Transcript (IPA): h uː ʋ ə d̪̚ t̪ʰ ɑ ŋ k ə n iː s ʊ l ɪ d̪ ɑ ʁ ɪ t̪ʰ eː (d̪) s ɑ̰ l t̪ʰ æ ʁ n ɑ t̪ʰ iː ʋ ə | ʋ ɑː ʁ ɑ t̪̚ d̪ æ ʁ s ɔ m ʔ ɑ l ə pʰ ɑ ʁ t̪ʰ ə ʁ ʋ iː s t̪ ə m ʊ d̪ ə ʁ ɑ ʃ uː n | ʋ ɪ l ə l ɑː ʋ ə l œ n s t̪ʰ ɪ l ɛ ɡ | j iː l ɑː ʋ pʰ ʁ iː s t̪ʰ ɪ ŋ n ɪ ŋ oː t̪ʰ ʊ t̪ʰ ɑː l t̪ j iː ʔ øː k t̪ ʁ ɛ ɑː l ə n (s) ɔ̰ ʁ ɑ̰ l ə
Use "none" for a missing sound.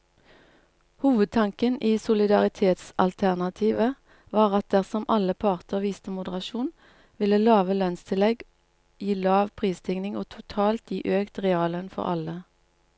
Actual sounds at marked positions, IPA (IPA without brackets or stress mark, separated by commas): t̪, f